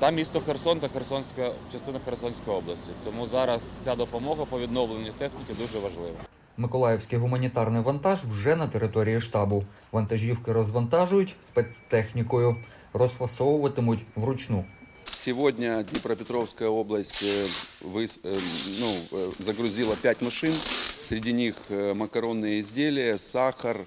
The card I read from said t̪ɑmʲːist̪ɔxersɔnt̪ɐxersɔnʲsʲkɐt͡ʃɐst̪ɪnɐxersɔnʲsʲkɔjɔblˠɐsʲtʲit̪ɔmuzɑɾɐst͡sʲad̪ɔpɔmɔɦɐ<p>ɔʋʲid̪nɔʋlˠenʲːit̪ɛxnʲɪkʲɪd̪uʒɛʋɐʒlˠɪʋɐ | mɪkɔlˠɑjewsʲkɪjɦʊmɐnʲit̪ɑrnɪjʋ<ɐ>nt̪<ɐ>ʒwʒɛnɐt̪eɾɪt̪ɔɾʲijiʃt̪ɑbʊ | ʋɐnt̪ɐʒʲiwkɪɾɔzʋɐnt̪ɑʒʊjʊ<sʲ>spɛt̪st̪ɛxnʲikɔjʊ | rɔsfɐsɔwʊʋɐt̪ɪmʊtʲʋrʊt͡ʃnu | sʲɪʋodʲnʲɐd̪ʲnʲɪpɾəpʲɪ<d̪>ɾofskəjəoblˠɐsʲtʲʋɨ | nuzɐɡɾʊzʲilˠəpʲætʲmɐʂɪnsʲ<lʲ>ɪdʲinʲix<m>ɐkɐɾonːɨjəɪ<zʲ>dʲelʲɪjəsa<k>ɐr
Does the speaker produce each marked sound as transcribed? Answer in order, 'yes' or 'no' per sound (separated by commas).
yes, yes, no, no, no, no, yes, yes, no